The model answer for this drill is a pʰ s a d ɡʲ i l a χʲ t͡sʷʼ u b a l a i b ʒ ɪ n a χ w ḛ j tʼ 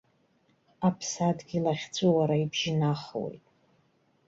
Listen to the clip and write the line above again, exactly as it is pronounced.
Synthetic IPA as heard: a pʰ s a d ɡʲ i l a χʲ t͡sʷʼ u w a ɾ a i b ʒ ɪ n a χ w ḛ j tʼ